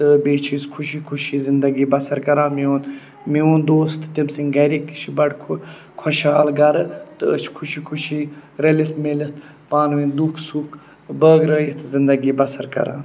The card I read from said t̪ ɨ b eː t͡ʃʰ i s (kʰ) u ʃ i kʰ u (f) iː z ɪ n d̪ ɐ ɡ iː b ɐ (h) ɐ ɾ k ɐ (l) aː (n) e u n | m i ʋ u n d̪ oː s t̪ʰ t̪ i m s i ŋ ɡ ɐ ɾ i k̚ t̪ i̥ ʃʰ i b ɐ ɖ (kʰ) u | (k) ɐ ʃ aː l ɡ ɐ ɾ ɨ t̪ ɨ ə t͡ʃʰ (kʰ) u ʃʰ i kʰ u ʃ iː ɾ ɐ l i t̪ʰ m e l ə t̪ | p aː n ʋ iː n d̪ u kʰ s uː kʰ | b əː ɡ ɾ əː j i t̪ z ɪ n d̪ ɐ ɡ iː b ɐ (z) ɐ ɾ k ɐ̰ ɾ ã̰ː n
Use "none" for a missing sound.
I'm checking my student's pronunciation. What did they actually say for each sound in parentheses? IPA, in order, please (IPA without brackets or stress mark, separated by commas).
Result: kʰ, ʃ, s, ɾ, m, kʰ, kʰ, kʰ, s